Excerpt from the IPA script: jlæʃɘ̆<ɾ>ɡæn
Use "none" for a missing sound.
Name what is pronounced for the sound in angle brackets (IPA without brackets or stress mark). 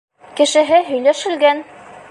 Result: l